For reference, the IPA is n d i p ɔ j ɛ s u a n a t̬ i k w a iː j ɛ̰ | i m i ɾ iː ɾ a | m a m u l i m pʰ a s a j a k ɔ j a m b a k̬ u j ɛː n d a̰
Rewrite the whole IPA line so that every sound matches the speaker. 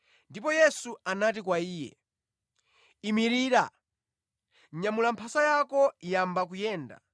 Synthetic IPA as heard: n d i p ɔ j ɛ s u a n a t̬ i k w a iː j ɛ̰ | i m i ɾ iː ɾ a | ɲ a m u l a m pʰ a s a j a k ɔ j a m b a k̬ u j ɛː n d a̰